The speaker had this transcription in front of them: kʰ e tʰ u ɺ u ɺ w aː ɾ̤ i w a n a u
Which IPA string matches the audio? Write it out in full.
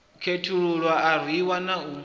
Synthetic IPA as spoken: kʰ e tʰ u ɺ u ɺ w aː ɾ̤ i w a n a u